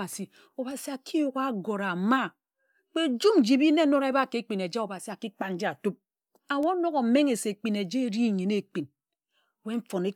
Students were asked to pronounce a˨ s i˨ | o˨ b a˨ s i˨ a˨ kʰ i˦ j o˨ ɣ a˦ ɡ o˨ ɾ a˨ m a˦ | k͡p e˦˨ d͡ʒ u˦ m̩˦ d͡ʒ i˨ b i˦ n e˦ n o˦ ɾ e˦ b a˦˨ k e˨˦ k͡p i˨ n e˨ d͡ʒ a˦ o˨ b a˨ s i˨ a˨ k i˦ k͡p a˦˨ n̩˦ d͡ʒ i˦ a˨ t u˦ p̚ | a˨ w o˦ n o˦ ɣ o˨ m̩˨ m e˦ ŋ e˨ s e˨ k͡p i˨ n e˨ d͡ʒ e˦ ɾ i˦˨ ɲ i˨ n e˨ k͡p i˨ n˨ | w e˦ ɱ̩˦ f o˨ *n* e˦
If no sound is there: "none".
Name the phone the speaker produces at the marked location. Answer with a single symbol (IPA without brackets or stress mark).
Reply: n